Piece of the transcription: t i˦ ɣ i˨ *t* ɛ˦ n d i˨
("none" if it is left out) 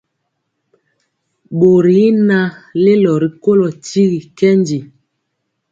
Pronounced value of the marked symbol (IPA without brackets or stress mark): k